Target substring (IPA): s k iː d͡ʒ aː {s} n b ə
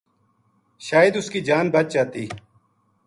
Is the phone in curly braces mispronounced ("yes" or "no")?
yes